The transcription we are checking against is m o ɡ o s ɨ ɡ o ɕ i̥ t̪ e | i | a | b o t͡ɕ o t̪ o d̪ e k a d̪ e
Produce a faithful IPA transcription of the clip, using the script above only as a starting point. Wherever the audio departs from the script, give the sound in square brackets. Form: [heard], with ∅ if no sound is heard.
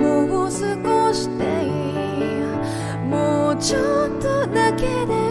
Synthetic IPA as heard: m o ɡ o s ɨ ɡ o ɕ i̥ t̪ e | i | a | [m] o t͡ɕ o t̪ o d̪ [a] k [e] d̪ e